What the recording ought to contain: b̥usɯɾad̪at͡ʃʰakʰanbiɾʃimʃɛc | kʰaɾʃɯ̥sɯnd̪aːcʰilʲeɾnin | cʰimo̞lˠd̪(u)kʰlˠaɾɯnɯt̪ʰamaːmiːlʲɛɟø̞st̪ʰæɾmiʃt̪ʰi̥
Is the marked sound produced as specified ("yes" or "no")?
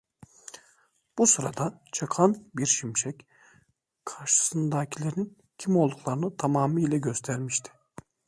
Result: yes